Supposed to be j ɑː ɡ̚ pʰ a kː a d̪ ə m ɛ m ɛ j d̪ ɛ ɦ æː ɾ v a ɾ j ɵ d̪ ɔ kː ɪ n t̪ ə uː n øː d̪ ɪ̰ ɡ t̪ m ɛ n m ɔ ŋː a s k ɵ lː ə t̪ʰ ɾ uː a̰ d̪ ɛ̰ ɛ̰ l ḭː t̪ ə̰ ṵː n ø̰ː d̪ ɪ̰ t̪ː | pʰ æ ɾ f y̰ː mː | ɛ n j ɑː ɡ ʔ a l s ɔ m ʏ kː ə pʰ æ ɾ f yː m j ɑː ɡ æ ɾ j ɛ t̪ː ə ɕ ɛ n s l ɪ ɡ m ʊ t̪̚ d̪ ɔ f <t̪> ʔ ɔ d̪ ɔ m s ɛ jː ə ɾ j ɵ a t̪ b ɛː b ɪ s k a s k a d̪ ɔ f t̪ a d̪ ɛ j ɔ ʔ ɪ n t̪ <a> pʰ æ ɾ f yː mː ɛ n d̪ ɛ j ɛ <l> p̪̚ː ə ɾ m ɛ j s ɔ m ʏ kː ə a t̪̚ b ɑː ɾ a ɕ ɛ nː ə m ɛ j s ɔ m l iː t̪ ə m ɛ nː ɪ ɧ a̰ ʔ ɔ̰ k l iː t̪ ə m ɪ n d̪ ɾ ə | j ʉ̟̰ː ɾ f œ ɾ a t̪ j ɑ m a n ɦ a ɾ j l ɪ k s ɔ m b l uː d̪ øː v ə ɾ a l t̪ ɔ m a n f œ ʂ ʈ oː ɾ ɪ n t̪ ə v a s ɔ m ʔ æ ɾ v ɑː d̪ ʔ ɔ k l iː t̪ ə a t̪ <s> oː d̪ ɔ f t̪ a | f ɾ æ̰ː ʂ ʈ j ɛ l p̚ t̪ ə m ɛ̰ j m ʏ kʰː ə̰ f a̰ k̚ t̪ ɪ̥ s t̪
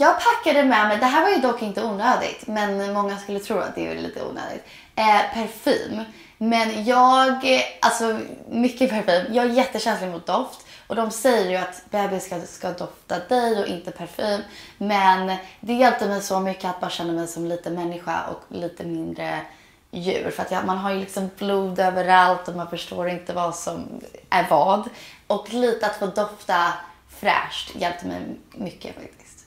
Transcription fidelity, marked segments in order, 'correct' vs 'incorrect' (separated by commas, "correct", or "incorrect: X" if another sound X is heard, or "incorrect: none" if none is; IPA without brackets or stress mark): correct, incorrect: ə, correct, incorrect: f